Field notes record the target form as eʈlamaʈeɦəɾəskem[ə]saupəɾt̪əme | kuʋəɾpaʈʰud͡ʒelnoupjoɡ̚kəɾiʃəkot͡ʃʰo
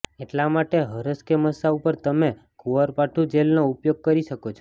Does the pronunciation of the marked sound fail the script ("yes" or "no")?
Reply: no